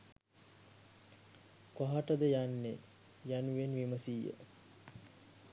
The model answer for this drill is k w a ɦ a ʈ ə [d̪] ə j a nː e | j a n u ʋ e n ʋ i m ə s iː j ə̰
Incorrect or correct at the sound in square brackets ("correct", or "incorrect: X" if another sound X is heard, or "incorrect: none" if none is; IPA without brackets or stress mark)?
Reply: correct